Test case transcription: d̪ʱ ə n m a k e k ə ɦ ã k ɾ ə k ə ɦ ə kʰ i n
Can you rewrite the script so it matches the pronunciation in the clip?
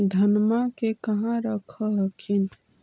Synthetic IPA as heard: d̪ʱ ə n m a k e k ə ɦ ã ɾ ə kʰ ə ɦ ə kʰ i n